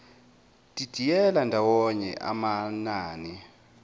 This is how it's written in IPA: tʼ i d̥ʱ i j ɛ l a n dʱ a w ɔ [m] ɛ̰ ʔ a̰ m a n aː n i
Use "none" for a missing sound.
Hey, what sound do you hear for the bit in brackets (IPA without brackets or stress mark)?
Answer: ɲ